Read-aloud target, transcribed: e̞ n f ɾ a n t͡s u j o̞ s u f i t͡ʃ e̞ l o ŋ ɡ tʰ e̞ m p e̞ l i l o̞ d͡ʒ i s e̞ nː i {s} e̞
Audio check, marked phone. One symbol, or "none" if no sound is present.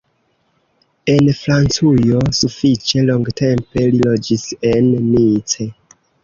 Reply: t͡s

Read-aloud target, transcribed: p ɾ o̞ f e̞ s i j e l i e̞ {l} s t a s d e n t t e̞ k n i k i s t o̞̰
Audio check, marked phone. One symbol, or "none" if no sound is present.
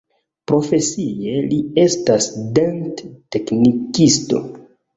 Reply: none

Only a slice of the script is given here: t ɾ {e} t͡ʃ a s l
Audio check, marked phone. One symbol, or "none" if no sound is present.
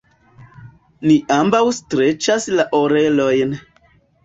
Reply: e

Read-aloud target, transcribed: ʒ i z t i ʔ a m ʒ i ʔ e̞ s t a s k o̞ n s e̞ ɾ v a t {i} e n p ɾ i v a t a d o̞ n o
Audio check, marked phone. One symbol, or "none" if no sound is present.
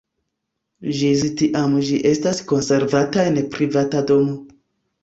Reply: a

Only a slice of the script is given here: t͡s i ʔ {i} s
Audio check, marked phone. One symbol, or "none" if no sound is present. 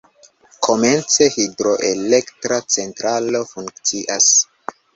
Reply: a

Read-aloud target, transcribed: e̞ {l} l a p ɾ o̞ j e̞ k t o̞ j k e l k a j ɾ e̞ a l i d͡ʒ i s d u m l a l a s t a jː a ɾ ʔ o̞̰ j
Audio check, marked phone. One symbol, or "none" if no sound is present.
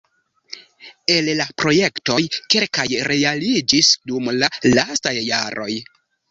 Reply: l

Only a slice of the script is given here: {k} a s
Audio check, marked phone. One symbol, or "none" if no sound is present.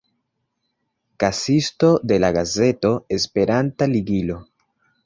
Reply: k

